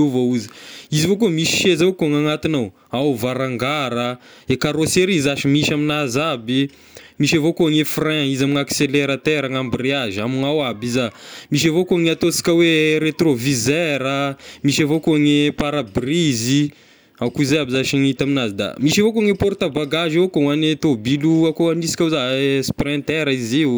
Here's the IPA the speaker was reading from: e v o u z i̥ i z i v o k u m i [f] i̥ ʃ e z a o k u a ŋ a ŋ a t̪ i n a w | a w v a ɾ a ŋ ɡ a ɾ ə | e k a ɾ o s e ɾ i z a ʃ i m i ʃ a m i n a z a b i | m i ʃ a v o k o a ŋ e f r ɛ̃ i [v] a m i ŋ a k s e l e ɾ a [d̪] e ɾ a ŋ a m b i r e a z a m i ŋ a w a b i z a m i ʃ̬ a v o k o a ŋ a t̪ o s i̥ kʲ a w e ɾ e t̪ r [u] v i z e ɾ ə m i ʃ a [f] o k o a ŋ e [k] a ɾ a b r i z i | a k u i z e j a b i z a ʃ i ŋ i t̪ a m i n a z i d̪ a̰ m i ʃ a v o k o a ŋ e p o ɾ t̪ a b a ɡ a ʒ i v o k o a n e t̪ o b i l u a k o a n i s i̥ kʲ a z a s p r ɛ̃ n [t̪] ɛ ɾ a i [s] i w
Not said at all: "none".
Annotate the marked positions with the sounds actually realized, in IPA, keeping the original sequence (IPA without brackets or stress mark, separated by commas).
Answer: ʃ, z, t̪, o, v, p, t̪, z